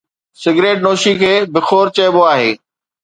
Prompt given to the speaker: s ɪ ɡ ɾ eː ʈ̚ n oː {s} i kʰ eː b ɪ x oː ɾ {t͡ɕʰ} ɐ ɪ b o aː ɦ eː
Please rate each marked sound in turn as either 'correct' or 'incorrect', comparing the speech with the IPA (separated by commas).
incorrect, incorrect